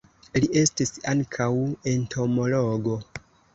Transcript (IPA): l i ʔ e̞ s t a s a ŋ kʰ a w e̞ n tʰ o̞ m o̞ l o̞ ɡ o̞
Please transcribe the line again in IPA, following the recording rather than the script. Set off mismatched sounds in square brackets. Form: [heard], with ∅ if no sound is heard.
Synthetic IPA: l i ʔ e̞ s t [i] s a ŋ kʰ a w e̞ n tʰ o̞ m o̞ l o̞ ɡ o̞